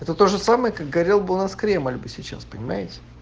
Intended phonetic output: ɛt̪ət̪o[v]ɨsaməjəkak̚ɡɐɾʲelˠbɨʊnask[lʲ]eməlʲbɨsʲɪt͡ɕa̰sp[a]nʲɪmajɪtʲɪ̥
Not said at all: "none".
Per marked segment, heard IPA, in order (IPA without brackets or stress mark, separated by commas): ʐ, ɾʲ, ə